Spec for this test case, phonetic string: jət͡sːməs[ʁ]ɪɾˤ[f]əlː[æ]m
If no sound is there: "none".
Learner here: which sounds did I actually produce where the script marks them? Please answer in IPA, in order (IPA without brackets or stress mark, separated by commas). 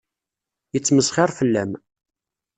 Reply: χ, f, æ